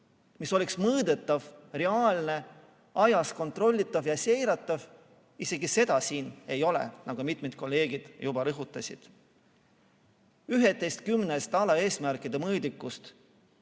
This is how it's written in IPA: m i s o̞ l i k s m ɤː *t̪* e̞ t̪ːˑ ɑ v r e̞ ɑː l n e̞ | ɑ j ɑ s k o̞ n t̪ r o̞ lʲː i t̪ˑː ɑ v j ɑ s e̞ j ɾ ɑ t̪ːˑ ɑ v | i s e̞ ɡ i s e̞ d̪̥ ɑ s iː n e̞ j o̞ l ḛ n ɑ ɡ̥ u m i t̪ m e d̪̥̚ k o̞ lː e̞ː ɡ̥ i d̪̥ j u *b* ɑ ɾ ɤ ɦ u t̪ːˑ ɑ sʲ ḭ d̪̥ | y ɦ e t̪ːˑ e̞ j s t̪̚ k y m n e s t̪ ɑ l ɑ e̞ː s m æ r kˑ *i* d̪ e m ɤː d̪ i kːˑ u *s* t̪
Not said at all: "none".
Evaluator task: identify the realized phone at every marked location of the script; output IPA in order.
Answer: d̪, b, i, s

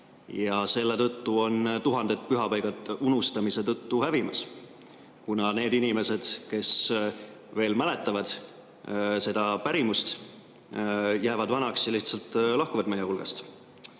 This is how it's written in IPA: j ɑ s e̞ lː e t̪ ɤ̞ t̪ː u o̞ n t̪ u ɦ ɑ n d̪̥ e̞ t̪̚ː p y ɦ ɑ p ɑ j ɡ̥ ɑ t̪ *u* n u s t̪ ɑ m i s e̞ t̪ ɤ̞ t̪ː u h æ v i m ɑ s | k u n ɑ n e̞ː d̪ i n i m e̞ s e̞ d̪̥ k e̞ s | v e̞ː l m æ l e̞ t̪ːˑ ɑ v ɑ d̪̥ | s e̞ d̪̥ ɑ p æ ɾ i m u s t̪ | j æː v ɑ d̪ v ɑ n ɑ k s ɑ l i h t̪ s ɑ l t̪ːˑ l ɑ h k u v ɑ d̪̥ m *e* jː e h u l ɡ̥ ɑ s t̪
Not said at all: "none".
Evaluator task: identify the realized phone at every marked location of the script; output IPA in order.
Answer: u, e

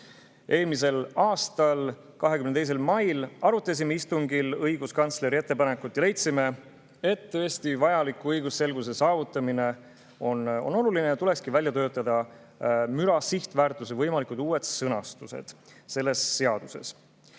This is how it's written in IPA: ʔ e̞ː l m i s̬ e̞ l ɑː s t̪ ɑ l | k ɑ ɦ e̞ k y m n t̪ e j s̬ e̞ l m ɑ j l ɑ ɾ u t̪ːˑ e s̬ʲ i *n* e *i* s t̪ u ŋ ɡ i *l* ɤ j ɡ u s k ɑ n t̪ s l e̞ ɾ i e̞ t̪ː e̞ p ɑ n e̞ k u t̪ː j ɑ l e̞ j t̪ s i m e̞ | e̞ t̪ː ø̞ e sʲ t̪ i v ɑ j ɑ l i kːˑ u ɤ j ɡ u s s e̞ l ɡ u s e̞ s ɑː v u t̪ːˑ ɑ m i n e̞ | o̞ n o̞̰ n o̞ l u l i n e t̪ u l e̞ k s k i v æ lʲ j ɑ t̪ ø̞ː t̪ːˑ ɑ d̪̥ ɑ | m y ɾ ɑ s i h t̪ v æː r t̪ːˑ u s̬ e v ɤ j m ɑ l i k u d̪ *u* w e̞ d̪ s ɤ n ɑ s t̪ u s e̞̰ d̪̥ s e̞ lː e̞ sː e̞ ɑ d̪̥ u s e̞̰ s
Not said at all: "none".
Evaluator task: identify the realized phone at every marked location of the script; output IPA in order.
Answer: m, i, l, uː

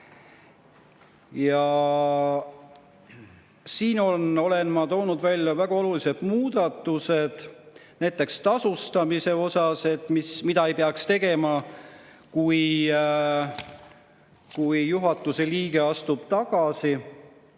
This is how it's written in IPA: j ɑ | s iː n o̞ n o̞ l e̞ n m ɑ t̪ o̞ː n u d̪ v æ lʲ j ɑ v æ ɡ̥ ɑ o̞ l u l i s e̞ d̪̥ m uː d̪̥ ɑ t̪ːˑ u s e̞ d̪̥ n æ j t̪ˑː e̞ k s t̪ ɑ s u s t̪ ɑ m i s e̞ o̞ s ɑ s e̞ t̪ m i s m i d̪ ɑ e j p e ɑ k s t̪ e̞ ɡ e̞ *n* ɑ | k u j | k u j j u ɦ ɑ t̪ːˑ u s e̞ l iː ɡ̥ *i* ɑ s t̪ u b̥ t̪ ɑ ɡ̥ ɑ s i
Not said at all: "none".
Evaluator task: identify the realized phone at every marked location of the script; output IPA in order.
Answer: m, e

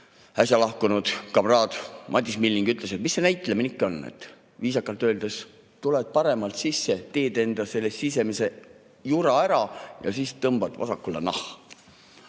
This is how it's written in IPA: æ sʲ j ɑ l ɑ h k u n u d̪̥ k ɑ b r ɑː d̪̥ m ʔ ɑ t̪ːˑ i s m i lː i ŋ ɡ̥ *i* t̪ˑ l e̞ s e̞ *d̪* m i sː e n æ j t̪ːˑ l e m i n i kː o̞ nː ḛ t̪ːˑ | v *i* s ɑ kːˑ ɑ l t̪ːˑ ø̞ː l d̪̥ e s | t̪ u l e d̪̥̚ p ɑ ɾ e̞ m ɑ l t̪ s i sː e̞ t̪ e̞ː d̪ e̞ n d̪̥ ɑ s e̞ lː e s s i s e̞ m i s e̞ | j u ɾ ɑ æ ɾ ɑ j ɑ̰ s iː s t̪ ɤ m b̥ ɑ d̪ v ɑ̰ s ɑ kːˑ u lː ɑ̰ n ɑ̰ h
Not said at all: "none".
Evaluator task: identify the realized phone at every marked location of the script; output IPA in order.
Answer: y, t̪, iː

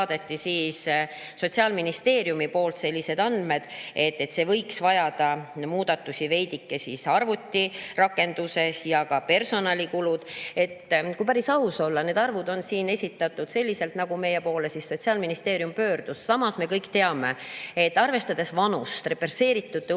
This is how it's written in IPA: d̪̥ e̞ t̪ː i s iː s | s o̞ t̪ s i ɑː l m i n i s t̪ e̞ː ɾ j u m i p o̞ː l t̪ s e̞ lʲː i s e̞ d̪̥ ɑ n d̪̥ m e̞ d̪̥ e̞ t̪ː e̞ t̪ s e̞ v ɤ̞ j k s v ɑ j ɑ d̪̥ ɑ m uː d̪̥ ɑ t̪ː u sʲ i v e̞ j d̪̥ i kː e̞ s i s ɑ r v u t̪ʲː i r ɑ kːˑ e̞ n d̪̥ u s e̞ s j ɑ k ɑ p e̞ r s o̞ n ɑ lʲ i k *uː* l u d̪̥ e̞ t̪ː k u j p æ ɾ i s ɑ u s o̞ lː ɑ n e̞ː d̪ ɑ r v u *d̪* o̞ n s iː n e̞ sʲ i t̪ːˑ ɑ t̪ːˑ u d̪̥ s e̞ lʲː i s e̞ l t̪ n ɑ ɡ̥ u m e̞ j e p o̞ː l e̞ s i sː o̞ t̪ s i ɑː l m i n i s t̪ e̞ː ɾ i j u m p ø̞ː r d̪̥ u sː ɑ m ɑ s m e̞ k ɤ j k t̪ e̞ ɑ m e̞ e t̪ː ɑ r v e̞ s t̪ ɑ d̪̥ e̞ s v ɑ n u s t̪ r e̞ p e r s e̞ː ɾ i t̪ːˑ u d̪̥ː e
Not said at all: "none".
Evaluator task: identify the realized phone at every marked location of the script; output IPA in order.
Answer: u, d̪

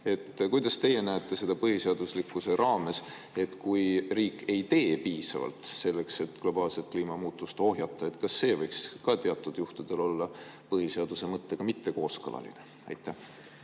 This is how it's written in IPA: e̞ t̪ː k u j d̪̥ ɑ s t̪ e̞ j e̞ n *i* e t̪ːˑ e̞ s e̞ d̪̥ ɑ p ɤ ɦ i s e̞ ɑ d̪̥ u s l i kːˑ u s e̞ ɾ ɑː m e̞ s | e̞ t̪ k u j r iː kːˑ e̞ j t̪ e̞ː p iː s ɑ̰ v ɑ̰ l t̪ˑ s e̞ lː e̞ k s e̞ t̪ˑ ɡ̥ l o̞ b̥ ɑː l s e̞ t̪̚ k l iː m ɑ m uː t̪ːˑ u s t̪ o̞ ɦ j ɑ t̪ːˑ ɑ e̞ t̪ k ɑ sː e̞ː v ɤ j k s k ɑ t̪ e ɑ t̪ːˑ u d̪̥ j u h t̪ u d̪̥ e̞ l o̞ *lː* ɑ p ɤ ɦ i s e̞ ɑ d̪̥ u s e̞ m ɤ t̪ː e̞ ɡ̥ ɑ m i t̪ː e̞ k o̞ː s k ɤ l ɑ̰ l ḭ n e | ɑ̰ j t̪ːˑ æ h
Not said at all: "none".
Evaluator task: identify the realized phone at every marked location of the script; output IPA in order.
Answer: æ, lː

